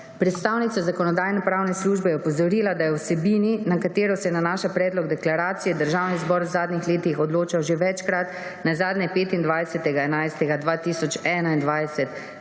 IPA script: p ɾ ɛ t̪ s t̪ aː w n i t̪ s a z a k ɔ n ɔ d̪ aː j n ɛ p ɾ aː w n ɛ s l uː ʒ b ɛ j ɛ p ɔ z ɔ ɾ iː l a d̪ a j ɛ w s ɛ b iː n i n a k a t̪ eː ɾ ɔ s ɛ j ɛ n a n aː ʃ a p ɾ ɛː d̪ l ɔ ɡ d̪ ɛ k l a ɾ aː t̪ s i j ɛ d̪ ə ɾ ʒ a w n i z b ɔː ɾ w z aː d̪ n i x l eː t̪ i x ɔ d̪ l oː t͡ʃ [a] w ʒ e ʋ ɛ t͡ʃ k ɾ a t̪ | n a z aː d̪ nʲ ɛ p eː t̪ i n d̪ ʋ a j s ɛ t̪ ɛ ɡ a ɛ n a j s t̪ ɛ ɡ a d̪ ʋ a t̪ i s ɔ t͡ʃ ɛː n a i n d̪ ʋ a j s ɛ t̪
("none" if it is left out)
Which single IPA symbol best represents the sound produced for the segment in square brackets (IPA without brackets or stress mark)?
a